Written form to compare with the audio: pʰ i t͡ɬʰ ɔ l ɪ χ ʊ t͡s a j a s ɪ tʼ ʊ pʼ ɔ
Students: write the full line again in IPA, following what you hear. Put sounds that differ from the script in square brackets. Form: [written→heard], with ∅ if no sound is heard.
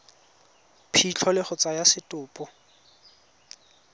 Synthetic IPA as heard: pʰ i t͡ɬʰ ɔ l ɪ χ ʊ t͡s a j a s ɪ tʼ [ʊ→ʊː] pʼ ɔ